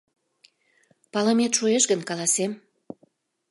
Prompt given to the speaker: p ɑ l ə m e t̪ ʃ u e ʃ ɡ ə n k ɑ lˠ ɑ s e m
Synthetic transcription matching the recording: p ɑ l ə m e t̪ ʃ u e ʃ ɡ ə n k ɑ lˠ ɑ s e m

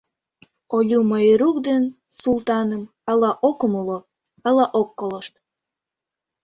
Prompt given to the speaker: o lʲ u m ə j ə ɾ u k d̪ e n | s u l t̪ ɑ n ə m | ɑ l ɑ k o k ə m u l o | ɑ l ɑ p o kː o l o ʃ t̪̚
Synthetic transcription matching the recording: o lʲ u m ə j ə ɾ u k d̪ e n | s u l t̪ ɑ n ə m | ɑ l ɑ ʔ o k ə m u l o | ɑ l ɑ ʔ o kː o l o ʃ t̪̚

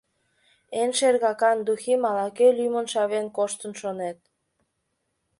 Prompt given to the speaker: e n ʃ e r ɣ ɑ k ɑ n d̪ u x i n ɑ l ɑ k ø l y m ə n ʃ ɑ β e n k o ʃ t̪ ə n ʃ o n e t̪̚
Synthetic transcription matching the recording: e n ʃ e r ɣ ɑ k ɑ n d̪ u x i m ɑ l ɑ k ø l y m ə n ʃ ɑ β e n k o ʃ t̪ ə n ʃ o n e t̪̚

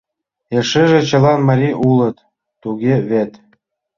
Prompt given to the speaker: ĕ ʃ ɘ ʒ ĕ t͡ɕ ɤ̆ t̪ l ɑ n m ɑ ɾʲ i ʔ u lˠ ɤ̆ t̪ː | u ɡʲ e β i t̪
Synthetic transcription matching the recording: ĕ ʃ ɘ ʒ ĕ t͡ɕ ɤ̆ l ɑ n m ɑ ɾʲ i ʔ u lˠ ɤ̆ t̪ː | u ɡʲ e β e t̪

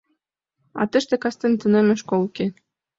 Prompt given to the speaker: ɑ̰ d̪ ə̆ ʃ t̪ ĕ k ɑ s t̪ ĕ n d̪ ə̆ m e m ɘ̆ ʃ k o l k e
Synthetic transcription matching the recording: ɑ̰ t̪ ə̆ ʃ t̪ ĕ k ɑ s t̪ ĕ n t̪ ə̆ n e m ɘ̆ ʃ k o l k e

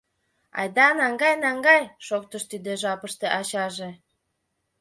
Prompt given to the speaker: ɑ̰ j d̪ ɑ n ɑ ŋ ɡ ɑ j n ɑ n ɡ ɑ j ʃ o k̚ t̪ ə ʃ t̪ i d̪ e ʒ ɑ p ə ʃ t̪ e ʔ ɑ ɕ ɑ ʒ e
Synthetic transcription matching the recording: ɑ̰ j d̪ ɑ n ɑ ŋ ɡ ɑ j n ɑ ŋ ɡ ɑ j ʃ o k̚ t̪ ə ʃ t̪ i d̪ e ʒ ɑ p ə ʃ t̪ e ʔ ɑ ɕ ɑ ʒ e

